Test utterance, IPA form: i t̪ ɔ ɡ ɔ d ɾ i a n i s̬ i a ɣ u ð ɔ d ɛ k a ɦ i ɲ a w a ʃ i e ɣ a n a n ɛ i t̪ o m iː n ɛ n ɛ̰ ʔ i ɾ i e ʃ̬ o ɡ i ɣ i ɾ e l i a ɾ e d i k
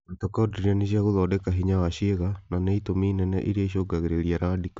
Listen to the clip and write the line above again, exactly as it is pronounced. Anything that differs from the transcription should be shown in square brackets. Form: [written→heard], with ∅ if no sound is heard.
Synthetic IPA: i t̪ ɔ [ɡ→k] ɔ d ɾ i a n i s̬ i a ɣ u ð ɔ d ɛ k a ɦ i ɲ a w a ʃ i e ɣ a n a n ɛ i t̪ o m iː n ɛ n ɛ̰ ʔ i ɾ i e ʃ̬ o ɡ [i→a] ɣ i ɾ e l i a ɾ [e→a] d i k